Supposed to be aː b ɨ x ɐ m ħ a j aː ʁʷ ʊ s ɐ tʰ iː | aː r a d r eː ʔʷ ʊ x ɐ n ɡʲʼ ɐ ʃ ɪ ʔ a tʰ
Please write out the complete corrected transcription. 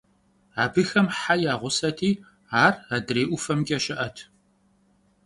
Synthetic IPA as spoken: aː b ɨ x ɐ m ħ a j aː ʁʷ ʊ s ɐ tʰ iː | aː r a d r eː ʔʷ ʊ f ɐ m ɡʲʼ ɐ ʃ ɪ ʔ ɐ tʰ